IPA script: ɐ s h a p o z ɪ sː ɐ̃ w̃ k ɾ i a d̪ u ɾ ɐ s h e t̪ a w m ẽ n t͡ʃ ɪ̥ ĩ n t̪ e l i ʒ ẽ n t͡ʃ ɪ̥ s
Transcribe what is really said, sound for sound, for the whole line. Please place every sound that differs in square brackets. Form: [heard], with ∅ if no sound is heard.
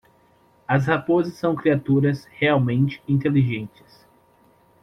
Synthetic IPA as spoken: ɐ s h a p o z ɪ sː ɐ̃ w̃ k ɾ i a [t̪] u ɾ ɐ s h e [∅] a w m ẽ n t͡ʃ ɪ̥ ĩ n t̪ e l i ʒ ẽ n t͡ʃ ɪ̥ s